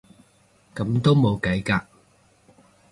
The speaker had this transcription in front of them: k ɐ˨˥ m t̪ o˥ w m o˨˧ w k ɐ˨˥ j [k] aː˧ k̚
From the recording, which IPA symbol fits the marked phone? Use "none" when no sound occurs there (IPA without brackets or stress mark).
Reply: k